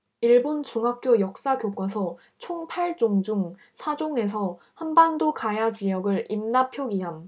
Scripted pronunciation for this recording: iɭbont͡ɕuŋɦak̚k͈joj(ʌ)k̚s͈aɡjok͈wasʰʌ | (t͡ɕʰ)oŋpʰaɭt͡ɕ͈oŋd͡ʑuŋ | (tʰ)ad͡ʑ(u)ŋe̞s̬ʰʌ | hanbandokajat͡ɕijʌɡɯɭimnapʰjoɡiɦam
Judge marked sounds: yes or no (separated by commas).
yes, yes, no, no